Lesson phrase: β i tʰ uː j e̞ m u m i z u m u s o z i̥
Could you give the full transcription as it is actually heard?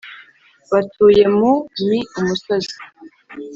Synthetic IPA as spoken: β a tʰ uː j e̞ m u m i u m u s o z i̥